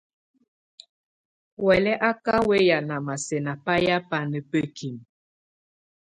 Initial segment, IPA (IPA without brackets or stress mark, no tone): w